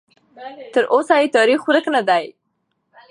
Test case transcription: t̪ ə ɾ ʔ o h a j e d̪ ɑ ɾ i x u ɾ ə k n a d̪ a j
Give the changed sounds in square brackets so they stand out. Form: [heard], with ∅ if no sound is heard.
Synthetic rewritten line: t̪ ə ɾ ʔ o [s] a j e [t̪] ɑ ɾ i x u ɾ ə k n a d̪ a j